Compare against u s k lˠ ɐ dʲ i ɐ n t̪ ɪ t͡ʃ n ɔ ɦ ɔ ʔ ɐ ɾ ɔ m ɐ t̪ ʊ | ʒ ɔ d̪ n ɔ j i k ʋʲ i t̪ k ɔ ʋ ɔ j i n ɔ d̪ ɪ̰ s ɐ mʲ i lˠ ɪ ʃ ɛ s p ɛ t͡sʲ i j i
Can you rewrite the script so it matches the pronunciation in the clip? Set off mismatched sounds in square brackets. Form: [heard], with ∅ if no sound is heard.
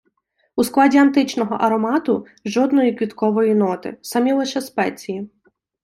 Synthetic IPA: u s k lˠ [ɑ] dʲ i ɐ n t̪ ɪ t͡ʃ n ɔ ɦ ɔ ʔ ɐ ɾ ɔ m [ɑ] t̪ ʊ | ʒ ɔ d̪ n ɔ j i k ʋʲ i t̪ k ɔ ʋ ɔ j i n ɔ [t̪] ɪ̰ s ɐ mʲ i lˠ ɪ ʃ ɛ s p ɛ t͡sʲ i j i